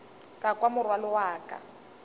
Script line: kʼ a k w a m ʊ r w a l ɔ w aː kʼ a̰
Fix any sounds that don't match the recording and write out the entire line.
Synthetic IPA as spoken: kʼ a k w a m ʊ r w a l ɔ w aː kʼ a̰